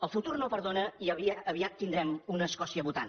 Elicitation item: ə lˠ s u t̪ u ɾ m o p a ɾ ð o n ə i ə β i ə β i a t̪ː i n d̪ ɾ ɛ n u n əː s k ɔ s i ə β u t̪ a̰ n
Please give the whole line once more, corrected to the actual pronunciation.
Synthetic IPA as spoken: ə lˠ f u t̪ u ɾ n o p ə ɾ ð o n ə i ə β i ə β i a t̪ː i n d̪ ɾ ɛ m u n əː s k ɔ s i ə β u t̪ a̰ n